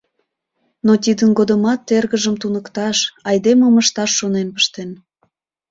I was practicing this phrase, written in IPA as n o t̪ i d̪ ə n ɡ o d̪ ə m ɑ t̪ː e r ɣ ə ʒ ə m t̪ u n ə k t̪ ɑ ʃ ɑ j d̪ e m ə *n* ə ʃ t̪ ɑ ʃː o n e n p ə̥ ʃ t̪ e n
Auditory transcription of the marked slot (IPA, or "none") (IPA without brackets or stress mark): m